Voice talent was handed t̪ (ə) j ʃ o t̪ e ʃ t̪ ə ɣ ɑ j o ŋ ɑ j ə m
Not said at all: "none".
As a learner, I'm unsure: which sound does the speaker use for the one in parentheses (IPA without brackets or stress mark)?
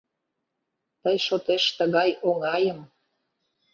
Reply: ə